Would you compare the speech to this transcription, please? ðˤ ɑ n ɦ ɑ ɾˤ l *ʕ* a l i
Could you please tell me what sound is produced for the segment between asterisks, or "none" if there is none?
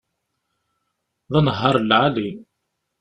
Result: ʕ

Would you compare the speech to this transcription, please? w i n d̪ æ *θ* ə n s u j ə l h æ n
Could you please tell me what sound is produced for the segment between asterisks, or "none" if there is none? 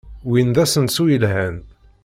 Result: s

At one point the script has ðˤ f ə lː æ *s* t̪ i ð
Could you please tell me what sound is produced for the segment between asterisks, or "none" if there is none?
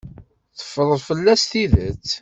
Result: s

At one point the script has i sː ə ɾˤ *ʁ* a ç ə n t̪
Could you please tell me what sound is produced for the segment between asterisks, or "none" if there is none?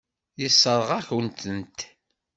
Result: ʁ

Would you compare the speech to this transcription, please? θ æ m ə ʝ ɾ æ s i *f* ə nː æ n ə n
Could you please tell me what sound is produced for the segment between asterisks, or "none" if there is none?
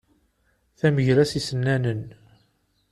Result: s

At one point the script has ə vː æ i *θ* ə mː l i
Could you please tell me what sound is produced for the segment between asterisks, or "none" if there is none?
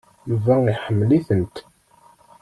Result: ħ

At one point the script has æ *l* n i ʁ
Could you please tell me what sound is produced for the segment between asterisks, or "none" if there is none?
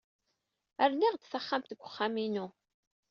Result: ɾ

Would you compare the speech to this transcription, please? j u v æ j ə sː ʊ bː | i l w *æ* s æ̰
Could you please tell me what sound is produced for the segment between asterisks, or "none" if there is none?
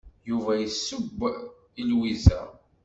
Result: i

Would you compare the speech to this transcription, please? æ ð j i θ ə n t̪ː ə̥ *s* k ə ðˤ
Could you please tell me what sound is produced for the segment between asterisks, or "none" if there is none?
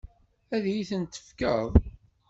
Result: f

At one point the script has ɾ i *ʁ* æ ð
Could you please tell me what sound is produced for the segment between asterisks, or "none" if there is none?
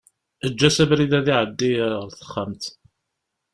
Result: ð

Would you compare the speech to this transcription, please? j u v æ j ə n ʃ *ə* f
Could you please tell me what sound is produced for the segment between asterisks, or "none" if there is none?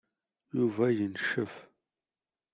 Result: ə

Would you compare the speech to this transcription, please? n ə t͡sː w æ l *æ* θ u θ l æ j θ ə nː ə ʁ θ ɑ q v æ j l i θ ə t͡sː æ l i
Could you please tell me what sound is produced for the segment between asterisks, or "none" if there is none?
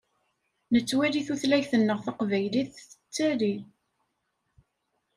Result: i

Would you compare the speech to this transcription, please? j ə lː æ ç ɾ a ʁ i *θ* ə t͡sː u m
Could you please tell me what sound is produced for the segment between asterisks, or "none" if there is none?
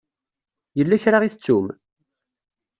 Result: θ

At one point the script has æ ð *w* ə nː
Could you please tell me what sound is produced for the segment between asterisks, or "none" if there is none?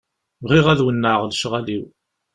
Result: w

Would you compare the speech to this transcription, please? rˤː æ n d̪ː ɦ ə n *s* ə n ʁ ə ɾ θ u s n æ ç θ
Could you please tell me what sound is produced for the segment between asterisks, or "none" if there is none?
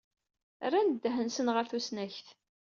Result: s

